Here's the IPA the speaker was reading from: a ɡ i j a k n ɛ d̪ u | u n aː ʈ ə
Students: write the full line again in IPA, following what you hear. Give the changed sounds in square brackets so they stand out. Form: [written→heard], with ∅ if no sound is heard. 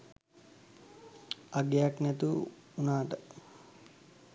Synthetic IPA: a ɡ [i→e] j a k n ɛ [d̪→t̪] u | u n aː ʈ ə